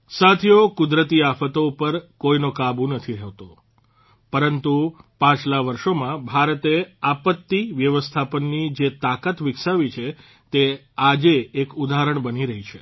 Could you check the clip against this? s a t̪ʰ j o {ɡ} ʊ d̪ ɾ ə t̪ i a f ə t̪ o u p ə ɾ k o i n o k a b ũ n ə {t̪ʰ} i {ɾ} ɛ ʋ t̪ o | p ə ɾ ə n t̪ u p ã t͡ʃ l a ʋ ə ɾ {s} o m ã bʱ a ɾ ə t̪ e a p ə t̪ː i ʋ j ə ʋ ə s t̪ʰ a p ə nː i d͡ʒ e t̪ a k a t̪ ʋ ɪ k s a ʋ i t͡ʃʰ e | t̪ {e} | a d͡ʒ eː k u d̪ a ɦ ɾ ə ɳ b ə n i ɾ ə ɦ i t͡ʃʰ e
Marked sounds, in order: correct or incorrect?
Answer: incorrect, correct, correct, incorrect, correct

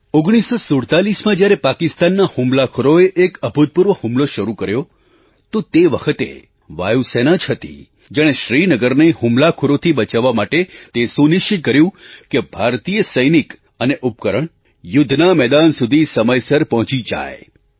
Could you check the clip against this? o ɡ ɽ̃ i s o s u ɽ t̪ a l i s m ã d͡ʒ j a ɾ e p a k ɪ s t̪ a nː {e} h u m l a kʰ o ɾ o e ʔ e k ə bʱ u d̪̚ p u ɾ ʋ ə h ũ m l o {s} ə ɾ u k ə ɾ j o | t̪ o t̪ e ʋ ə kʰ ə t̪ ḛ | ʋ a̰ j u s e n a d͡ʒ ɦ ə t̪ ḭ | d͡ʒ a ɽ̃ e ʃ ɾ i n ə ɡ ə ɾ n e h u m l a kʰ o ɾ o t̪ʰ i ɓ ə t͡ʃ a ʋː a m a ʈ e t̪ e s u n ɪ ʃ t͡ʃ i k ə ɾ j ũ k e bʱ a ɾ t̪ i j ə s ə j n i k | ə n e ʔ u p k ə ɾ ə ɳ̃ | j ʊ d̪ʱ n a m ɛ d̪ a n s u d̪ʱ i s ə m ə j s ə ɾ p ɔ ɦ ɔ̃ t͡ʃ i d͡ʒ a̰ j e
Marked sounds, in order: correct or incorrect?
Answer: incorrect, incorrect

